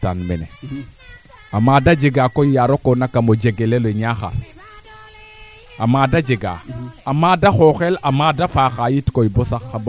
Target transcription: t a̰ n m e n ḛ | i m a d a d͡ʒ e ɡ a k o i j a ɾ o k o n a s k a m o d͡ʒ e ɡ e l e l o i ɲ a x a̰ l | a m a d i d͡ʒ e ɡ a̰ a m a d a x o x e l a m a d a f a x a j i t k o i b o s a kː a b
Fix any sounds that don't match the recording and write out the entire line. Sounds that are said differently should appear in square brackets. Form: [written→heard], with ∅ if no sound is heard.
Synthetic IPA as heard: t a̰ n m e n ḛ | [i→a] m a d a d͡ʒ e ɡ a k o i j a ɾ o k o n a [s→∅] k a m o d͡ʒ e ɡ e l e l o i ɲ a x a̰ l | a m a d [i→a] d͡ʒ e ɡ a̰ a m a d a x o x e l a m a d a f a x a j i t k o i b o s a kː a b